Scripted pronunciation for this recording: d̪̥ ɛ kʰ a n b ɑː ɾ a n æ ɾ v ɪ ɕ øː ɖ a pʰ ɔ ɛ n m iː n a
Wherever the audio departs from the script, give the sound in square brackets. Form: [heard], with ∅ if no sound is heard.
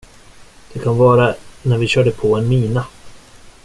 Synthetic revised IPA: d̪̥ ɛ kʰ a n [v] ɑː ɾ a n æ ɾ v ɪ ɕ [œː] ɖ [ə] pʰ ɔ ɛ n m iː n a